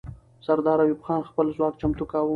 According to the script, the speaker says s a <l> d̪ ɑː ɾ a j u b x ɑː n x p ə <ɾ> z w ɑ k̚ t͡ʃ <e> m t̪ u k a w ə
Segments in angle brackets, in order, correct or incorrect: incorrect: ɾ, incorrect: l, incorrect: a

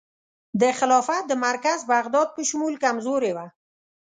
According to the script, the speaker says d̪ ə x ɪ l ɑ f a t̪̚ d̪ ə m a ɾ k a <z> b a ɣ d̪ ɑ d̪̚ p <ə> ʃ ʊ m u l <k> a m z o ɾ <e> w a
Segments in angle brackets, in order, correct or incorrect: correct, correct, correct, correct

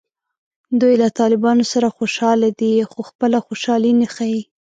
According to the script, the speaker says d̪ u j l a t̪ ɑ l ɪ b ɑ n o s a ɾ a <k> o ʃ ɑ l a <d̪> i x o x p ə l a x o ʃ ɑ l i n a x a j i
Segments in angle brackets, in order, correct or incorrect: incorrect: x, correct

